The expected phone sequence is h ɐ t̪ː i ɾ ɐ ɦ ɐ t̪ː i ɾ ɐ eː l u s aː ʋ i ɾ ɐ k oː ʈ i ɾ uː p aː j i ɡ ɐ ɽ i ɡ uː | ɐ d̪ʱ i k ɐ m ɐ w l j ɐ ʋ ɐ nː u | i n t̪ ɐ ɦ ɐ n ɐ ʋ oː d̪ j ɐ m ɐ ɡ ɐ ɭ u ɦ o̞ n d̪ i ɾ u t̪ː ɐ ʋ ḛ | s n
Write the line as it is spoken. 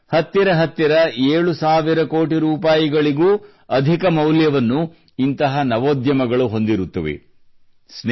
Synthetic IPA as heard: h ɐ t̪ː i ɾ ɐ ɦ ɐ t̪ː i ɾ ɐ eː ɭ u s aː ʋ i ɾ ɐ k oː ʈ i ɾ uː p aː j i ɡ ɐ ɭ i ɡ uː | ɐ d̪ʱ i k ɐ m ɐ w l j ɐ ʋ ɐ nː u | i n t̪ ɐ ɦ ɐ n ɐ ʋ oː d̪ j ɐ m ɐ ɡ ɐ ɭ u ɦ o̞ n d̪ i ɾ u t̪ː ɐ ʋ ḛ | s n